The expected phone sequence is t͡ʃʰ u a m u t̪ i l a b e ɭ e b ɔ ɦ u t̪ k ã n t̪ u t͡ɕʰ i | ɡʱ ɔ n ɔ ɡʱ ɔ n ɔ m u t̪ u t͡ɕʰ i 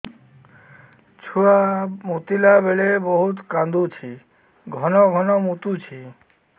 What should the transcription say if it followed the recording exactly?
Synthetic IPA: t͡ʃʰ u a m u t̪ i l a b e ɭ e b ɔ ɦ u t̪ k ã n d̪ u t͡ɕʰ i | ɡʱ ɔ n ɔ ɡʱ ɔ n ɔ m u t̪ u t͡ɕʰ i